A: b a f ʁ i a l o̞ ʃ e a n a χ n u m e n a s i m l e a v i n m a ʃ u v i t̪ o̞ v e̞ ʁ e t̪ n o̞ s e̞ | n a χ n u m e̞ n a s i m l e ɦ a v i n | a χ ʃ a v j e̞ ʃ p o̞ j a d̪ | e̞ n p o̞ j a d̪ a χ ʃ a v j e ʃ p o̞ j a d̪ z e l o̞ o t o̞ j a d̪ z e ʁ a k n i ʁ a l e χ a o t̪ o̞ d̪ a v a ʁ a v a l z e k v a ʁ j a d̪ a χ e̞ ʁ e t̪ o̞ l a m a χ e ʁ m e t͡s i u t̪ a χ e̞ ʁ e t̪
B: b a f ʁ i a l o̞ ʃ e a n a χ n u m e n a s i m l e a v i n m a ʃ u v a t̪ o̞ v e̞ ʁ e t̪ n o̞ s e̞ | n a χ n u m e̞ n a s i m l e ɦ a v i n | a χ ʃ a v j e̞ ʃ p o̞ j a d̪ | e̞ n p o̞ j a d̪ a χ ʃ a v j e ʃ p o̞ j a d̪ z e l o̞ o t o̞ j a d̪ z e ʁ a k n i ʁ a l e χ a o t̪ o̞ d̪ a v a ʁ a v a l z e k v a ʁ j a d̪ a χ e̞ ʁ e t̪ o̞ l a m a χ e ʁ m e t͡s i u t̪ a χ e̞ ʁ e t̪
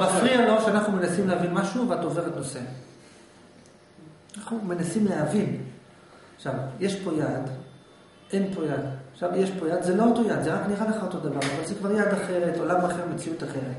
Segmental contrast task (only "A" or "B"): B